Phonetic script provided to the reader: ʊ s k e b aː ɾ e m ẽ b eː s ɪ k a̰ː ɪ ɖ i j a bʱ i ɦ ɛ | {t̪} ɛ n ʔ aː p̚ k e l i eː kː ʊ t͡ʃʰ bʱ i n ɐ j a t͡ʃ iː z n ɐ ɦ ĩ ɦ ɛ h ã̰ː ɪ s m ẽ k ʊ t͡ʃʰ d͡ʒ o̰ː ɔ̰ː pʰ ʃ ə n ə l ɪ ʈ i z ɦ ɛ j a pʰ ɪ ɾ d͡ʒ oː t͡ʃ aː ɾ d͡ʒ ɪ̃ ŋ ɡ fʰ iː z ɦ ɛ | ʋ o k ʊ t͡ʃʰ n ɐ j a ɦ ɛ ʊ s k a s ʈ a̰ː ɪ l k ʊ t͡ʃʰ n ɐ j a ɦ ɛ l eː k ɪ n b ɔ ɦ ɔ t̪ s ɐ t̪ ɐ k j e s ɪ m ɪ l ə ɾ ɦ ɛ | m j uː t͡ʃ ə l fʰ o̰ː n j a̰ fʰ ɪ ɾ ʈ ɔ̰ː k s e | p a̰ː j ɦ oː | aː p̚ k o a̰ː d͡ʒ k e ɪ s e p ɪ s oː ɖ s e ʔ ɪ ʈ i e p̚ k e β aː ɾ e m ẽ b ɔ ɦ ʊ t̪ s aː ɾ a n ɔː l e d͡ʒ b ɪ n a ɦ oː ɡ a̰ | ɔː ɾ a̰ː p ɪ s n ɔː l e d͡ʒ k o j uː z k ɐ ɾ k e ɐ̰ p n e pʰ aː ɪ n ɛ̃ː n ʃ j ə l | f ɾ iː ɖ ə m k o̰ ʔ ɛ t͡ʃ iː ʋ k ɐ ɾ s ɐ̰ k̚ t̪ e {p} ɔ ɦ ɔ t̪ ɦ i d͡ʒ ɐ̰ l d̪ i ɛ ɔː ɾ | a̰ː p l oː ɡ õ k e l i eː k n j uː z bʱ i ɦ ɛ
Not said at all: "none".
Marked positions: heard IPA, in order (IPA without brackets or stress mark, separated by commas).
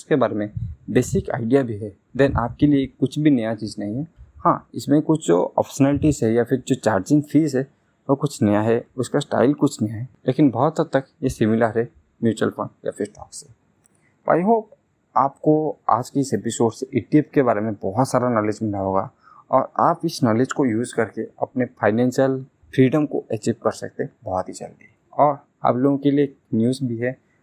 d̪, b